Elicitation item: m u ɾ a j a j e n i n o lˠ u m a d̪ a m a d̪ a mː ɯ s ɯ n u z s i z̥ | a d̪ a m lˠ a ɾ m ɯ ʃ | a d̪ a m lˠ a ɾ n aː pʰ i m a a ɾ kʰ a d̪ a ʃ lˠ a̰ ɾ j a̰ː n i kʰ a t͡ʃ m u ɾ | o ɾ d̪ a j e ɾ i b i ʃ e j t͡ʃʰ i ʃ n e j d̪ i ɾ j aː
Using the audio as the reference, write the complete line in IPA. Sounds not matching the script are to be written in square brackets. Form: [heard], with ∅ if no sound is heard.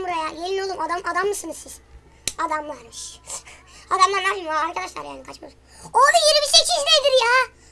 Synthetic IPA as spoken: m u ɾ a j a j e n i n o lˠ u m a d̪ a m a d̪ a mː ɯ s ɯ n [ɯ] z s i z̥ | a d̪ a m lˠ a ɾ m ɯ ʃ | a d̪ a m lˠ a ɾ n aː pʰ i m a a ɾ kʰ a d̪ a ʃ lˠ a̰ ɾ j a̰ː n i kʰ a t͡ʃ m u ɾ | o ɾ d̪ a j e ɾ i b i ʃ e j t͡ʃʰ i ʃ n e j d̪ i ɾ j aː